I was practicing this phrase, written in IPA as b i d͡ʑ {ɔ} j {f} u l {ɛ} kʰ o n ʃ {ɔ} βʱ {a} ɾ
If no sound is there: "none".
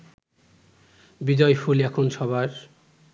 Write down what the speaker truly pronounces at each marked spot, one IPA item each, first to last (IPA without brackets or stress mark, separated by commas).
ɔ, f, ɛ, ɔ, a